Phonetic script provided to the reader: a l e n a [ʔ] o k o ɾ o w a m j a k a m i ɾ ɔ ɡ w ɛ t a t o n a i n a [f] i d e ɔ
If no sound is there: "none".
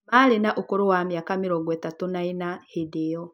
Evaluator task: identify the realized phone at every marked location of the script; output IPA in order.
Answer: ʔ, h

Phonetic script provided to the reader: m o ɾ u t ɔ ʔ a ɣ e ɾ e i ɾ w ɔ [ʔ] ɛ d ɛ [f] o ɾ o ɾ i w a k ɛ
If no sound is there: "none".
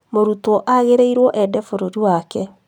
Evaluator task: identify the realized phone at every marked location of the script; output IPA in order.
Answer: ʔ, f

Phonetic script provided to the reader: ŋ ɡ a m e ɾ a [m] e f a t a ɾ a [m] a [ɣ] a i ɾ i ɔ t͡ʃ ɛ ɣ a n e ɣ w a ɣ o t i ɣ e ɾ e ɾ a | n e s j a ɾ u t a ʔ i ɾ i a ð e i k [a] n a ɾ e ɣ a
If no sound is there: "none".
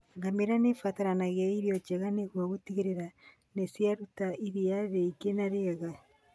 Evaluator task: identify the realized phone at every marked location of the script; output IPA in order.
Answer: n, n, ɣ, e

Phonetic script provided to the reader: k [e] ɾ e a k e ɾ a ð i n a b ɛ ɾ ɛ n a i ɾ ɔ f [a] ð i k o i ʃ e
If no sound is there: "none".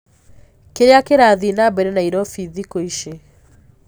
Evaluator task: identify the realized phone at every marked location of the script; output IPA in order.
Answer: e, i

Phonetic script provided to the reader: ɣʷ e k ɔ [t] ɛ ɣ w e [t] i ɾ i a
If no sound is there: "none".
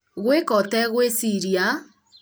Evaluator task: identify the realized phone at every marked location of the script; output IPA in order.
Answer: t, s

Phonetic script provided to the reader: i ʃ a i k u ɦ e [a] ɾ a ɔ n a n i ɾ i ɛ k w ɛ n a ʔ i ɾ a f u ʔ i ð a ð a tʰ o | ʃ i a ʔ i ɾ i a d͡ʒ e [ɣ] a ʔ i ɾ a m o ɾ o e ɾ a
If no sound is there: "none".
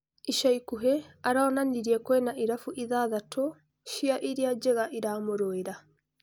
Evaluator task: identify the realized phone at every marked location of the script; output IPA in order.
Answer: a, ɣ

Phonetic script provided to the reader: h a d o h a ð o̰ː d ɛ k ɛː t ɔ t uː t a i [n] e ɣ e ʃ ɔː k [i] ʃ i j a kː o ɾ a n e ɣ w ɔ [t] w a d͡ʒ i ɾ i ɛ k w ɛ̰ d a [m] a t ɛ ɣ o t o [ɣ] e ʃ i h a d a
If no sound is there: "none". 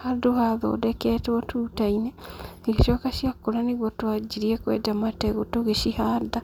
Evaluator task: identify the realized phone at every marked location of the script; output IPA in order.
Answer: n, a, t, m, ɣ

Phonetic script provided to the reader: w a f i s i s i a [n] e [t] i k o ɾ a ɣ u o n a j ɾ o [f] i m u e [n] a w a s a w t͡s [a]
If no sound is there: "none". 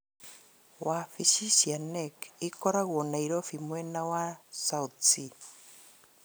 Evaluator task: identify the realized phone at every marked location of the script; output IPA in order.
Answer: n, k, f, n, i

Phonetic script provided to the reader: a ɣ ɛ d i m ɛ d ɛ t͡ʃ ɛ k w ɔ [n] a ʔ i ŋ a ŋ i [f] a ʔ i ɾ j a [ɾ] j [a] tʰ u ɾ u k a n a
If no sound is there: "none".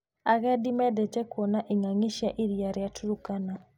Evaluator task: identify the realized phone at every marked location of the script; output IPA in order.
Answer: n, ʃ, ɾ, a

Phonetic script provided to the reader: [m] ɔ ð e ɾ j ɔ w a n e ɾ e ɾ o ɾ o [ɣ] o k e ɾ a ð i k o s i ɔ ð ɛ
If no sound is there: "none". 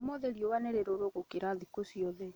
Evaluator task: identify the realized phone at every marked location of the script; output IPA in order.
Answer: m, ɣ

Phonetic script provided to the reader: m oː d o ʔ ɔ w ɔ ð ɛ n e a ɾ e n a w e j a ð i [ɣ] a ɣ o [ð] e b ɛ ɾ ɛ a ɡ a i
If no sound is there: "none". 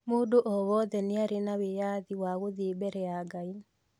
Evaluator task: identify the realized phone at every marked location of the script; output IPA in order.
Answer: w, ð

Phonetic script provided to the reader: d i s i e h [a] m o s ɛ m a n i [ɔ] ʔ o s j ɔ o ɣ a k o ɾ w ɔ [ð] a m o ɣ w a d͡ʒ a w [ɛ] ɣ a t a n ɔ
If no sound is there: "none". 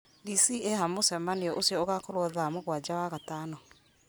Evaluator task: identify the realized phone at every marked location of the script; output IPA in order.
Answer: a, ɔ, ð, a

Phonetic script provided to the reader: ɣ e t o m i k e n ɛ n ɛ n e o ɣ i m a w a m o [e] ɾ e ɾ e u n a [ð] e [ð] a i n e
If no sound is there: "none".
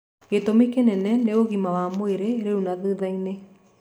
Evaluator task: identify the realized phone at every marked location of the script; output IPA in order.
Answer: e, ð, ð

